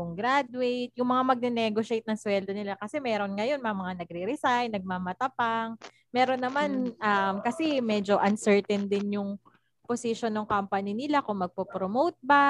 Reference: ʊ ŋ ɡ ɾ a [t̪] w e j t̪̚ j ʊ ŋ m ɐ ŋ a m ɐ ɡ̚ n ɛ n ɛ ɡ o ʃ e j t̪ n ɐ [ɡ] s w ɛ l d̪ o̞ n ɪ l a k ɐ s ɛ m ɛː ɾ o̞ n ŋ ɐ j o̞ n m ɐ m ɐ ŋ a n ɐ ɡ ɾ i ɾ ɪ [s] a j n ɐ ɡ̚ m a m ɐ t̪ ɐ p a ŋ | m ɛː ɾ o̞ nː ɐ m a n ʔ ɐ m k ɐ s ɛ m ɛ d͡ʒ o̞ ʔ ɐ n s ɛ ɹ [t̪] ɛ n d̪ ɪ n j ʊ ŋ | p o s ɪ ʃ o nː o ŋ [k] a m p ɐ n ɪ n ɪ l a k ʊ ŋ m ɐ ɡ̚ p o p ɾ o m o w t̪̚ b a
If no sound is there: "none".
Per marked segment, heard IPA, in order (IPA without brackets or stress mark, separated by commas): d̪, ŋ, s, t̪, k